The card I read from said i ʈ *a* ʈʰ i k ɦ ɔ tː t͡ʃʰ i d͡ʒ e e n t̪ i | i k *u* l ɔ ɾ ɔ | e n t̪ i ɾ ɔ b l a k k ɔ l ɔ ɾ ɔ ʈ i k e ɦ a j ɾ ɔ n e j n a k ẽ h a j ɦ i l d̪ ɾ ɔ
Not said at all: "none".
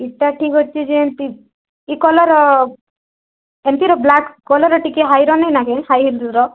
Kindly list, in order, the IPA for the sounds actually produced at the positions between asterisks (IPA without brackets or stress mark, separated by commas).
a, ɔ